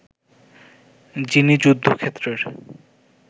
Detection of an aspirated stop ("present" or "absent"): present